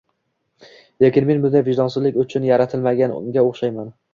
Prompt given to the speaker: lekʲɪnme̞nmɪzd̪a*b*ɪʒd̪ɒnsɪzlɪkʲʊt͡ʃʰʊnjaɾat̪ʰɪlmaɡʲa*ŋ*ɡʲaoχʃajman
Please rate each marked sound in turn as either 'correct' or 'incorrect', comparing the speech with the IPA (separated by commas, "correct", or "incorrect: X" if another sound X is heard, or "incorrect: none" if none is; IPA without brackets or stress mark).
incorrect: v, incorrect: n